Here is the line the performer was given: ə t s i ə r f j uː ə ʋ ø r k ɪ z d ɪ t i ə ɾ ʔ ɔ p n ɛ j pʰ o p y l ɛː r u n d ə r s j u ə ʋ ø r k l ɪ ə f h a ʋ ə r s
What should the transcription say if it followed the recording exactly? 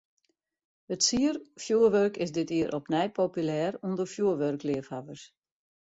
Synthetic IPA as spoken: ə t s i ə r f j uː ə ʋ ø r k ɪ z d ɪ t i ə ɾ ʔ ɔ p n ɛ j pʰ o p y l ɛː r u n d ə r f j u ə ʋ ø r k l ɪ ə f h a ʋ ə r s